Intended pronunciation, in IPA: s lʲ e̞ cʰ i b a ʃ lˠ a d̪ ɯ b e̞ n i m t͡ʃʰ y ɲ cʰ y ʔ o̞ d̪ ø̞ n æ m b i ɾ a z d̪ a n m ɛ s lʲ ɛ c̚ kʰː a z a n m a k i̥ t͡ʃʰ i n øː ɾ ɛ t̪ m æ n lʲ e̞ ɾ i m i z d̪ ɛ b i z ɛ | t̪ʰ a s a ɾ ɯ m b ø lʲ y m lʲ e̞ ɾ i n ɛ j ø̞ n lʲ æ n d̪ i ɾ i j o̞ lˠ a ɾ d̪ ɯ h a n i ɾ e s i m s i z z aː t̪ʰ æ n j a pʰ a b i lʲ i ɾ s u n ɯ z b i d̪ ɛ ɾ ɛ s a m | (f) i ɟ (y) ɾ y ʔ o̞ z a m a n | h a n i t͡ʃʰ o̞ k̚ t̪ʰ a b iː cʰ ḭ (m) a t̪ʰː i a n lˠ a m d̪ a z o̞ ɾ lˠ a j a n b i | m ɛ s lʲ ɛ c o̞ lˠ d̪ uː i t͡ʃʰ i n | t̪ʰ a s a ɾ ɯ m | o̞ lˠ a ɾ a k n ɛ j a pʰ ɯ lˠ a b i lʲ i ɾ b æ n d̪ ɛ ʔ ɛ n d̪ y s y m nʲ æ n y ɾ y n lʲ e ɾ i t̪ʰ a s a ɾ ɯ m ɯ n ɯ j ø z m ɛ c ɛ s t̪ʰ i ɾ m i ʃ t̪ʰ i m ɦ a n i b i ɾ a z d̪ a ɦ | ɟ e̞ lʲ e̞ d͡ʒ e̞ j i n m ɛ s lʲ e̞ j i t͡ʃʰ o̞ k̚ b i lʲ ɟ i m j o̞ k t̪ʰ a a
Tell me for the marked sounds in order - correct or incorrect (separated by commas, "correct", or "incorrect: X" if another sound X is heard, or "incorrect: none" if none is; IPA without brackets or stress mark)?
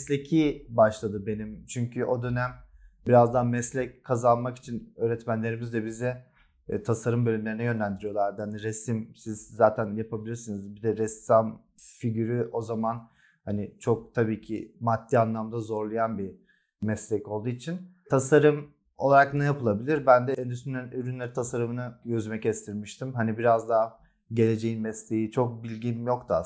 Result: correct, correct, correct